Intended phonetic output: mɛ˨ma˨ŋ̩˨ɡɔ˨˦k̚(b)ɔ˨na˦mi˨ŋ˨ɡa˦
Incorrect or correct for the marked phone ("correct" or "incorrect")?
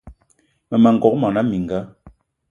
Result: incorrect